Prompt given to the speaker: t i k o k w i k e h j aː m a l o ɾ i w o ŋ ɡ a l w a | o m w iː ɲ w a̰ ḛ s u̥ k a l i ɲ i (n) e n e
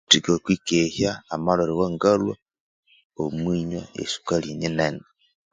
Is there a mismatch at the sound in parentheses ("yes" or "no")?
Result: no